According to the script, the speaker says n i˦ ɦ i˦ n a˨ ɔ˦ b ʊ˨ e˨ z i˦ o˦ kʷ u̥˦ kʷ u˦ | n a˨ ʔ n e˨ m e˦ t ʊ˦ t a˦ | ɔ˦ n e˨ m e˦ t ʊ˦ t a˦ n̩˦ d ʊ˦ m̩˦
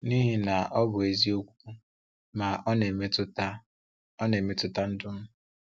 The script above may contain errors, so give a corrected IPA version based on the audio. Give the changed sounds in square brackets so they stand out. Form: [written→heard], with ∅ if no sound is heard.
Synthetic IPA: n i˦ ɦ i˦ n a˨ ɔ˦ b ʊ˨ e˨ z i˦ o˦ kʷ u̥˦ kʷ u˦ | [n→m] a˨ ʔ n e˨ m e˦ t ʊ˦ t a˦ | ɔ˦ n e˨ m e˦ t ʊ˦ t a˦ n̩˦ d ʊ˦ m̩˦